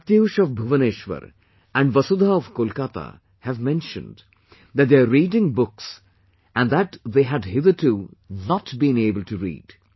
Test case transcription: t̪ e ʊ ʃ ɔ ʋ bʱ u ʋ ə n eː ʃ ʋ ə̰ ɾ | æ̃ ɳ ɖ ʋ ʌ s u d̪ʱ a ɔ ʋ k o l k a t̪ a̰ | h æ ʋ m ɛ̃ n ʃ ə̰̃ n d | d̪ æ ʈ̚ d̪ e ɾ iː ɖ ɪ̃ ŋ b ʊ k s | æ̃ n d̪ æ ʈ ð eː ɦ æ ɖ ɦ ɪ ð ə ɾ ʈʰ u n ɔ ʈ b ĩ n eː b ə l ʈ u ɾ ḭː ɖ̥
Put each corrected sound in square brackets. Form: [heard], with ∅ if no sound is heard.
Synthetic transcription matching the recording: t̪ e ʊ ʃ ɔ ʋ bʱ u ʋ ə n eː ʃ ʋ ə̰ ɾ | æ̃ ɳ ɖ ʋ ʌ s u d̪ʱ a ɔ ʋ k o l k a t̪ a̰ | h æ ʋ m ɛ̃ n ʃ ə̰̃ n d | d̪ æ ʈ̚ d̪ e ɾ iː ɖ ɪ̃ ŋ b ʊ k s | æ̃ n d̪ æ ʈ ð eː ɦ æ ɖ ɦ ɪ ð ə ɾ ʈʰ u n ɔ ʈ b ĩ n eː b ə l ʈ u ɾ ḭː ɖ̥